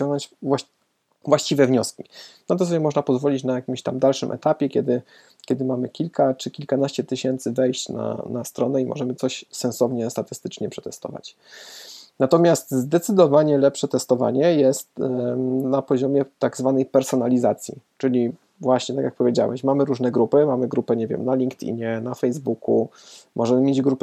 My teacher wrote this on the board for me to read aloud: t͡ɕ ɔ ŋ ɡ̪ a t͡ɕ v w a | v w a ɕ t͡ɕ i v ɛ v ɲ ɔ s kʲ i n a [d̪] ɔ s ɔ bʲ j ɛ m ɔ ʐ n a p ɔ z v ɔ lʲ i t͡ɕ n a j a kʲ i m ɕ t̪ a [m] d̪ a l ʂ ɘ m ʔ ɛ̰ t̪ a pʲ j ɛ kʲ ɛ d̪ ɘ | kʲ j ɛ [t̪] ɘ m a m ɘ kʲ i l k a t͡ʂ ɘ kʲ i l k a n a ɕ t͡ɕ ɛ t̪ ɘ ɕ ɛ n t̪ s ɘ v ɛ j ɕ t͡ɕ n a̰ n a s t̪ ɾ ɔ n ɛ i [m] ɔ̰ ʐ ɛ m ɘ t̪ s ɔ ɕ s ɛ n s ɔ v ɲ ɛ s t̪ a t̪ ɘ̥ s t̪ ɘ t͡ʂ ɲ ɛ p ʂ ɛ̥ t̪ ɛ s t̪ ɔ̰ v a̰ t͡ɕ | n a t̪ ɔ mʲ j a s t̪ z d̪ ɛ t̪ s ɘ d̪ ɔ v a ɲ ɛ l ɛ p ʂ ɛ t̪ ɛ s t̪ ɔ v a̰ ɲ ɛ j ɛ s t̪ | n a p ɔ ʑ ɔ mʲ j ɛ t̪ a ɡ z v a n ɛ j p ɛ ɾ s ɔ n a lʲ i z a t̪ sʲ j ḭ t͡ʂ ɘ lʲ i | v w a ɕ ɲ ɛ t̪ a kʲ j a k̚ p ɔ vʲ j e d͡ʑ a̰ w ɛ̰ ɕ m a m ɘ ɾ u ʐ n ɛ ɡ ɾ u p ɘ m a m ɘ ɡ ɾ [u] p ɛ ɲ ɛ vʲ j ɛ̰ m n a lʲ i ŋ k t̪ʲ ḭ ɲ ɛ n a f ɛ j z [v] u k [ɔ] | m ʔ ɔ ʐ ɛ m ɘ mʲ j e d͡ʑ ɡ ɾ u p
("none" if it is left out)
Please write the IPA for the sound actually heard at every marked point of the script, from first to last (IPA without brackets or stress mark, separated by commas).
t̪, m, d̪, m, u, b, u